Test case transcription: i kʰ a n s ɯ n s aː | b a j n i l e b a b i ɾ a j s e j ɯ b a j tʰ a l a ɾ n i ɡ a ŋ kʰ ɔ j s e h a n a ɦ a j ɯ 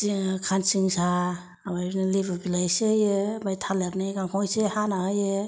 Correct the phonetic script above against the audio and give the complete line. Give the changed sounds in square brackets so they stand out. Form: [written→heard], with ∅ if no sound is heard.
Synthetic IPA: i kʰ a n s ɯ [n→ŋ] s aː | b a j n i l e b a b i [ɾ→l] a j s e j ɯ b a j tʰ a l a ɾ n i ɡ a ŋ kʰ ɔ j s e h a n a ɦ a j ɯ